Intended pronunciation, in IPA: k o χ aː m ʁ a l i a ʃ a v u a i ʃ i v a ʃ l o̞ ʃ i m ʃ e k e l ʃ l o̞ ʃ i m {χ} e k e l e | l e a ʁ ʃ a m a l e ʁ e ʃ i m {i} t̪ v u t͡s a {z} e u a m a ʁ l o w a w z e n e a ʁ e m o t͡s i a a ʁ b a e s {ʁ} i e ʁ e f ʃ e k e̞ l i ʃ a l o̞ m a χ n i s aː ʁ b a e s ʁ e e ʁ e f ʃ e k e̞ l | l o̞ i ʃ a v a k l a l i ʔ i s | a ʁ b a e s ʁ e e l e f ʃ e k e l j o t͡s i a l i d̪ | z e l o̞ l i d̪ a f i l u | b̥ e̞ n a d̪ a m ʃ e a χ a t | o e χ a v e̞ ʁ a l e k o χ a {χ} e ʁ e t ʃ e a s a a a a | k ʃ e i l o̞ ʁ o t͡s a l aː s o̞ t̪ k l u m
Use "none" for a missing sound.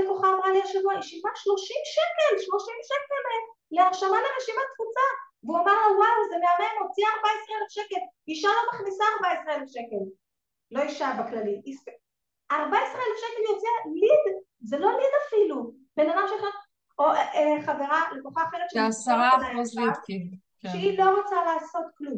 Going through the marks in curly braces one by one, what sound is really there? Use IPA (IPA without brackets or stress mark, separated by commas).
ʃ, a, v, ʁ, χ